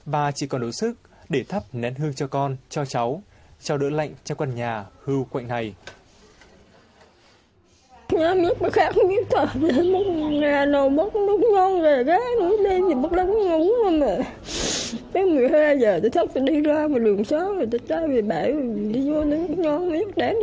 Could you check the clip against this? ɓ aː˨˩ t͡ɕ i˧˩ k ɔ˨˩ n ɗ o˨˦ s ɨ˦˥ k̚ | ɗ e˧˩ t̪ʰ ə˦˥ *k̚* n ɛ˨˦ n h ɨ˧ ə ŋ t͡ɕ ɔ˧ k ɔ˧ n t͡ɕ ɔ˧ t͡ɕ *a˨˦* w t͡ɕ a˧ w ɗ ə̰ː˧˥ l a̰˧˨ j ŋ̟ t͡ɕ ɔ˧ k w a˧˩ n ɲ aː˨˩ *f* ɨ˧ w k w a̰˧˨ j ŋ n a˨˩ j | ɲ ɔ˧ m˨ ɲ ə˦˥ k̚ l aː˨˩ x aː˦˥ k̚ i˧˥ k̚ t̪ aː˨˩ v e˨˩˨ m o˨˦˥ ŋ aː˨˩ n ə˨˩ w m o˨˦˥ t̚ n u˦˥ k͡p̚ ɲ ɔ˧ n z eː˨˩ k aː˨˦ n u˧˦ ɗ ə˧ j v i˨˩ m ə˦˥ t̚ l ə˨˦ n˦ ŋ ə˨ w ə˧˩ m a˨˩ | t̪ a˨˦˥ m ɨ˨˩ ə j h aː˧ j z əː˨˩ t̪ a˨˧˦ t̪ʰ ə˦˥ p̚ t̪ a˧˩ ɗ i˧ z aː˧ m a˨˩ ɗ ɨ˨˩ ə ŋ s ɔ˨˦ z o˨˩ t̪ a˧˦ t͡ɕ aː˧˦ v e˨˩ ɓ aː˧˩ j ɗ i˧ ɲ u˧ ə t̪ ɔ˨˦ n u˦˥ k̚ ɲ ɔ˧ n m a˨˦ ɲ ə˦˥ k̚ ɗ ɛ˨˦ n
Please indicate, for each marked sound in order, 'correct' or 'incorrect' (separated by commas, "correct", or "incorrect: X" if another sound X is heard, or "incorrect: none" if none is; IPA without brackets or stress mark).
incorrect: p̚, correct, incorrect: h